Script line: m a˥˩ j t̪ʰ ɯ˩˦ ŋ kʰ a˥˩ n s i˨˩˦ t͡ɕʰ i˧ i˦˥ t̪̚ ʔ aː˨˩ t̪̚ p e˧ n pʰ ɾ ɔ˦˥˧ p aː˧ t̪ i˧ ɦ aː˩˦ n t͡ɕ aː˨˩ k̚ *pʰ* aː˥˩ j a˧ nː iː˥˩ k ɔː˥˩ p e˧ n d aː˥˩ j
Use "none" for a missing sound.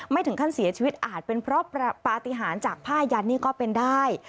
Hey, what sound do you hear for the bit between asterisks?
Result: pʰ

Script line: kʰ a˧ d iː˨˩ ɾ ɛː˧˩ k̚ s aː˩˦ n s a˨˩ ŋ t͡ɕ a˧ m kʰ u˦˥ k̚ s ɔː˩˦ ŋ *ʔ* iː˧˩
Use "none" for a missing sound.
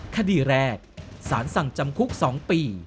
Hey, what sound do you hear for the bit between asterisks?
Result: p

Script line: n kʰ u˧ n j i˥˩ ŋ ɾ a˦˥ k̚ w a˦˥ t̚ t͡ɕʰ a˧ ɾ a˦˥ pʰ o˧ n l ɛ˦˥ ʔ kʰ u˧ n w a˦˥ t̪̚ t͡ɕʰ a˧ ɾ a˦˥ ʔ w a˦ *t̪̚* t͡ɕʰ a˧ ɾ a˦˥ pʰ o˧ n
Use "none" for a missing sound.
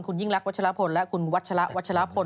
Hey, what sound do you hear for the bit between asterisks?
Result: t̪̚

